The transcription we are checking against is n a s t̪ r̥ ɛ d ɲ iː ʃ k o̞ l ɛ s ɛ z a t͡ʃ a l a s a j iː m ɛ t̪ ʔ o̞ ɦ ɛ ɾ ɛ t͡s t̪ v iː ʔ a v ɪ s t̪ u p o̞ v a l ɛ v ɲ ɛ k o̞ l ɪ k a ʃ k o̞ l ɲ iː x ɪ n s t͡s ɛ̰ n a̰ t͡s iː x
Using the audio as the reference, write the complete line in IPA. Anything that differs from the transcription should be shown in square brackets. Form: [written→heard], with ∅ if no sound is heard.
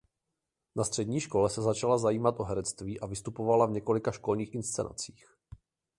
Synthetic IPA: n a s t̪ r̥ ɛ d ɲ iː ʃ k o̞ l ɛ s ɛ z a t͡ʃ a l a [s→z] a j iː m [ɛ→a] t̪ ʔ o̞ ɦ ɛ ɾ ɛ t͡s t̪ v iː ʔ a v ɪ s t̪ u p o̞ v a l [ɛ→a] v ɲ ɛ k o̞ l ɪ k a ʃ k o̞ l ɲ iː x ɪ n s t͡s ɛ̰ n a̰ t͡s iː x